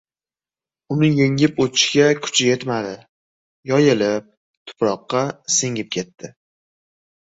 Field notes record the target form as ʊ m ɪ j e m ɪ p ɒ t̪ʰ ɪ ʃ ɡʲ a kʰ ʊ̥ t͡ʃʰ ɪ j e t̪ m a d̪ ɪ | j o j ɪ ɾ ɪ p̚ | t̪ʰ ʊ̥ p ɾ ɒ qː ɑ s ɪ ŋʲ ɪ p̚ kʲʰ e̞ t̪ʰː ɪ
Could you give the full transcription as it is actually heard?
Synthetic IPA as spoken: ʊ n ɪ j e ŋ ɪ p o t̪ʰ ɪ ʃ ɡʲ a kʰ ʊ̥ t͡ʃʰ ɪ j e t̪ m a d̪ ɪ | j ɒ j ɪ l ɪ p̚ | t̪ʰ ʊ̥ p ɾ ɒ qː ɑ s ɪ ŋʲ ɪ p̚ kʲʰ e̞ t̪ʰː ɪ